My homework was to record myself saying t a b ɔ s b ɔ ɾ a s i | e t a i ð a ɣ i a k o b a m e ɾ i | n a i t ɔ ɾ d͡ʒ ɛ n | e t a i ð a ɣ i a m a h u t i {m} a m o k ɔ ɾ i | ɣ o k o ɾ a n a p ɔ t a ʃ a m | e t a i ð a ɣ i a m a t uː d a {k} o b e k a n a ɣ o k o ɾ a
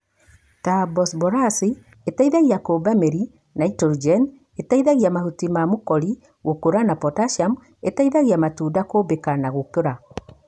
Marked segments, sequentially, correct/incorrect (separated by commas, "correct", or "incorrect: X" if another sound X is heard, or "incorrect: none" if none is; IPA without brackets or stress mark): correct, correct